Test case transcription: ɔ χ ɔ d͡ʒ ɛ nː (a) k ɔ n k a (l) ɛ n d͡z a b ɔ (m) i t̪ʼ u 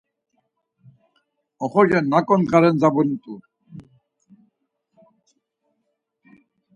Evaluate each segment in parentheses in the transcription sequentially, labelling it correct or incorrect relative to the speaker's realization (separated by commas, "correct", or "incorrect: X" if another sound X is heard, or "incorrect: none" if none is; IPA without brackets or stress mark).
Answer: correct, incorrect: ɾ, incorrect: n